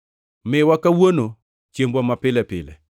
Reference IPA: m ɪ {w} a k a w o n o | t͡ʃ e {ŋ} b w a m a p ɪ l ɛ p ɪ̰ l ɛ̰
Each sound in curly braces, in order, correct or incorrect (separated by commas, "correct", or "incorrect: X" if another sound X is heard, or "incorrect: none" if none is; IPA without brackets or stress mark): correct, incorrect: m